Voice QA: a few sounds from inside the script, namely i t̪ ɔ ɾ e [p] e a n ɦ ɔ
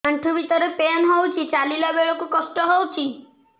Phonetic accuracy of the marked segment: correct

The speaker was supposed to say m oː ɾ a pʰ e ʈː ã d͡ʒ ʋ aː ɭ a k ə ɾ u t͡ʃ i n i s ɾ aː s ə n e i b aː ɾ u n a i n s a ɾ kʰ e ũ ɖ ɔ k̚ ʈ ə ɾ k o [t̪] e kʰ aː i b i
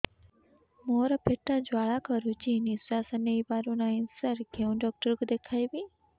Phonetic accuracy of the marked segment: incorrect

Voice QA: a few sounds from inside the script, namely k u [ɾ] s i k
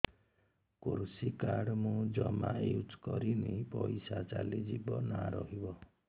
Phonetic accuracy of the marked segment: correct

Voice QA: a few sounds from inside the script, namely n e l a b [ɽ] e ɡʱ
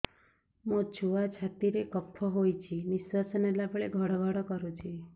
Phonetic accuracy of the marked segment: incorrect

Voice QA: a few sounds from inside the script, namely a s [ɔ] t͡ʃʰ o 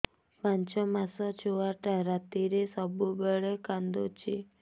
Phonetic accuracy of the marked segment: correct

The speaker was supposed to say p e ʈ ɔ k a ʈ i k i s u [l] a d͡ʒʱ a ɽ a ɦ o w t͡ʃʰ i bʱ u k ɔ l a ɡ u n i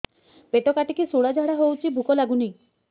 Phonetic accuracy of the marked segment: incorrect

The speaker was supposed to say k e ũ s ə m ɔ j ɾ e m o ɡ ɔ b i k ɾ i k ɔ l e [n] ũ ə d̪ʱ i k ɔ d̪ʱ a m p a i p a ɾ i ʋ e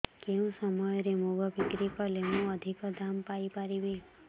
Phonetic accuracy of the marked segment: incorrect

